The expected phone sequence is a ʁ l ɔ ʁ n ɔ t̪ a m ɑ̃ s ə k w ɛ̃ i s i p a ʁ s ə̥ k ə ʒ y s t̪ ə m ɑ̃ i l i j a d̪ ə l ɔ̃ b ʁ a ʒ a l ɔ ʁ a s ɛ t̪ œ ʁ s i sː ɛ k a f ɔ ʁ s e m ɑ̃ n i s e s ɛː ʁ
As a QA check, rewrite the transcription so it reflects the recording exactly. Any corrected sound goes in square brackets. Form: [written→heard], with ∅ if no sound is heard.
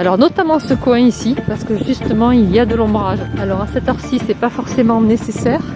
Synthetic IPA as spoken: a [ʁ→∅] l ɔ ʁ n ɔ t̪ a m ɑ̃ s ə k w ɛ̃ i s i p a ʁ s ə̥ k ə ʒ y s t̪ ə m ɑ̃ i l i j a d̪ ə l ɔ̃ b ʁ a ʒ a l ɔ ʁ a s ɛ t̪ œ ʁ s i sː ɛ [k→p] a f ɔ ʁ s e m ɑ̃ n [i→e] s e s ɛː ʁ